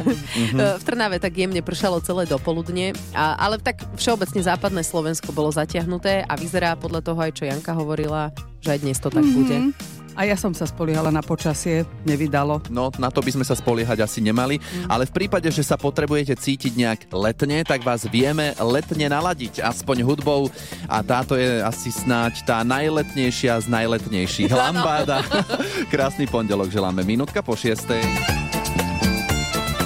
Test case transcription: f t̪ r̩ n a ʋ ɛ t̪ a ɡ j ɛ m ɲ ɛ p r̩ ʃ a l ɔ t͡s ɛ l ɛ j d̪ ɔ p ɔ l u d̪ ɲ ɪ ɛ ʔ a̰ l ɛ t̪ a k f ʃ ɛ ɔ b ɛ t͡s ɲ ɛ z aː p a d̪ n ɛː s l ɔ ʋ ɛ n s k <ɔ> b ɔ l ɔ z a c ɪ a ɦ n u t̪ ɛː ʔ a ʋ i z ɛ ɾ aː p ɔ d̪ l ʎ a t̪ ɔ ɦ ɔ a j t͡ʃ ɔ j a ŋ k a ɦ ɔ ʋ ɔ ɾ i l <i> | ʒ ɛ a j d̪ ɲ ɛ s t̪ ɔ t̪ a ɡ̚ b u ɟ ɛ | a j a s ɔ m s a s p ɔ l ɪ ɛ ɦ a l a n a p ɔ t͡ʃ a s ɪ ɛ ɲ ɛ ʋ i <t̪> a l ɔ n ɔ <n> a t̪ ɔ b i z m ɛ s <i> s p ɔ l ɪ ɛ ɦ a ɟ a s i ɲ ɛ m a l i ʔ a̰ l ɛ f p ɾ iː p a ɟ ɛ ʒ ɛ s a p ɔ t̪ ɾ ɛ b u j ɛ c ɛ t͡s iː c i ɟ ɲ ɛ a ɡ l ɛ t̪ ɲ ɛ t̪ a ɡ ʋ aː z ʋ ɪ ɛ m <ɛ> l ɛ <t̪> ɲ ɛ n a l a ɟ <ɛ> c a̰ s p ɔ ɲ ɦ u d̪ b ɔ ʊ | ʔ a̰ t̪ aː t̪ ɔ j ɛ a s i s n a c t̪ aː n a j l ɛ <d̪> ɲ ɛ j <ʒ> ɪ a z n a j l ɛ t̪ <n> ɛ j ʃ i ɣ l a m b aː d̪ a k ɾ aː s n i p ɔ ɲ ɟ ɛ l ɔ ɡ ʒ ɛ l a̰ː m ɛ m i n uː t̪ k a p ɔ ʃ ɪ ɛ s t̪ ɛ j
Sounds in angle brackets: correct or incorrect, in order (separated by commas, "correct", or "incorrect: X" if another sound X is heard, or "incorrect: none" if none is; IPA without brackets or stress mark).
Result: correct, incorrect: a, incorrect: d̪, correct, incorrect: a, correct, correct, incorrect: i, incorrect: t̪, incorrect: ʃ, incorrect: ɲ